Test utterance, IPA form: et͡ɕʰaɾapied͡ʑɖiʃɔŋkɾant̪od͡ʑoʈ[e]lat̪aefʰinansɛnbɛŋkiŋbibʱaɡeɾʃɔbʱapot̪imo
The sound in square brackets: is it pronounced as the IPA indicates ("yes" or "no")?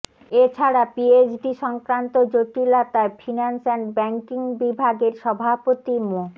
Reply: no